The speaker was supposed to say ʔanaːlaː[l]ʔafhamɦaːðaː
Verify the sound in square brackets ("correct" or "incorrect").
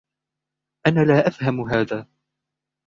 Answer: incorrect